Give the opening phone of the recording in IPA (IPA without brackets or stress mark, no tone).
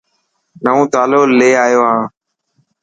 n